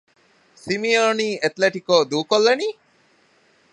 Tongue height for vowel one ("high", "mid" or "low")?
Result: high